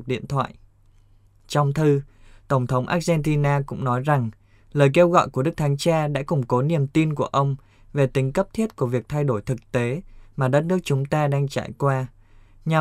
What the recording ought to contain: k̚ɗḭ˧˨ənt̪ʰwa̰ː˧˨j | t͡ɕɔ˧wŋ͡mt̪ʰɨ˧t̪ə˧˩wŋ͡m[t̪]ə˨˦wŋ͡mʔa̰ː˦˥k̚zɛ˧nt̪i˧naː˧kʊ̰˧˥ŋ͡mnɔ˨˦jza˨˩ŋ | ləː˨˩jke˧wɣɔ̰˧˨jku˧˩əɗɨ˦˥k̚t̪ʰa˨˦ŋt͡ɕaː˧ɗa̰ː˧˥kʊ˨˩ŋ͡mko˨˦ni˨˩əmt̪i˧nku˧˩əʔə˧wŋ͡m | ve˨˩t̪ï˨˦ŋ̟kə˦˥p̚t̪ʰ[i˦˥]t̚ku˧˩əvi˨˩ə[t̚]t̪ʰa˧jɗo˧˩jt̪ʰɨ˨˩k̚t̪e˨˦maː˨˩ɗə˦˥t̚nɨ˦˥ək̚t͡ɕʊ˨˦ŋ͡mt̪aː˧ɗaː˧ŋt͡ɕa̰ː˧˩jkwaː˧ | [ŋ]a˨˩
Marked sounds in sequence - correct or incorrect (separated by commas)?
incorrect, correct, incorrect, incorrect